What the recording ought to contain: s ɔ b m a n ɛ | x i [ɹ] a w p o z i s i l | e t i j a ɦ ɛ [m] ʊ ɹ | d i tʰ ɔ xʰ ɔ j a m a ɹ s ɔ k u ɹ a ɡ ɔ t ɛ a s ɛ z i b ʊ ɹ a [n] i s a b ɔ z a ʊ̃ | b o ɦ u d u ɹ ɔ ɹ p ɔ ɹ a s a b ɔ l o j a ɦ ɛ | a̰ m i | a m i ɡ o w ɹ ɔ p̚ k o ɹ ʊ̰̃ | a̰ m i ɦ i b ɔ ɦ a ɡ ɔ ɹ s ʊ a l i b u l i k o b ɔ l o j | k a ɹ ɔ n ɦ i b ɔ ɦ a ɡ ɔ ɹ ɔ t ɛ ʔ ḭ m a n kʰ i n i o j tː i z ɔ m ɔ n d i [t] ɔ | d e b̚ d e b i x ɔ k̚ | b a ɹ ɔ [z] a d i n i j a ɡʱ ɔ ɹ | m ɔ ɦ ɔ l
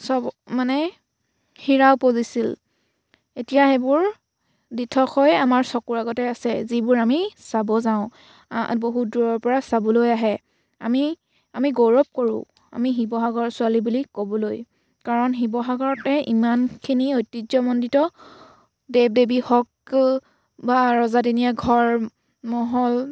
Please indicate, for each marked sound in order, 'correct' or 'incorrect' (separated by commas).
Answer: correct, incorrect, incorrect, correct, correct